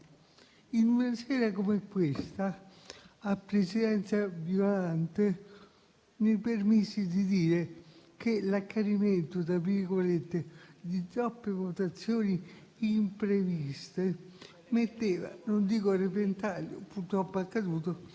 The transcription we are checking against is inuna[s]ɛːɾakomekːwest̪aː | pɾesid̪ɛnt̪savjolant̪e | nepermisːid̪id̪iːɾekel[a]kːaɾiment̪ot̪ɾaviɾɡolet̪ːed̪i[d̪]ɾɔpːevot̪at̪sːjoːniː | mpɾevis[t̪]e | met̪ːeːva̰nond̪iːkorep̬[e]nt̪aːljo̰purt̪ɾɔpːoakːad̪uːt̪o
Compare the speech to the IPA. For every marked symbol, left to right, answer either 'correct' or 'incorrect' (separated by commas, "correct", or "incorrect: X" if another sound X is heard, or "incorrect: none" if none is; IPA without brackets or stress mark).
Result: correct, correct, incorrect: t̪, correct, correct